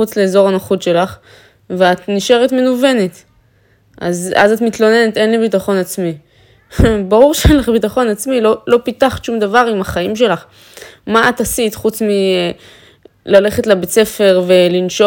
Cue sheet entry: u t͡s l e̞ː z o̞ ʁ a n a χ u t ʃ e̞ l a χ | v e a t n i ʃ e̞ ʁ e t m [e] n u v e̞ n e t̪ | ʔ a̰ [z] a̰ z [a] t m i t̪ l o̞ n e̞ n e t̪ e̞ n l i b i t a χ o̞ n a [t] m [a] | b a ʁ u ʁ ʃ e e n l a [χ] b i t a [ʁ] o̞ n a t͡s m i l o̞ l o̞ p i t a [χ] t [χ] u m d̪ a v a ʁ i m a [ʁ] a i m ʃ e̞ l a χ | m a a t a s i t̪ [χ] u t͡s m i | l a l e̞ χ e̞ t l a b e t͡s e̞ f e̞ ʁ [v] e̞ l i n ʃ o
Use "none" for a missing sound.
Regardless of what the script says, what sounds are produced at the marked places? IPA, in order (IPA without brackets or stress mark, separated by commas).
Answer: e, z, a, t͡s, i, χ, χ, χ, ʃ, χ, χ, v